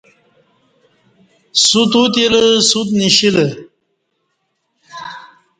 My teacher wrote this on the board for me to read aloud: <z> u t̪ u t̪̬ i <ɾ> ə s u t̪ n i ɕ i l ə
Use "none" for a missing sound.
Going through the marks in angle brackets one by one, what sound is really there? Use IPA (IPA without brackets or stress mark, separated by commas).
s, l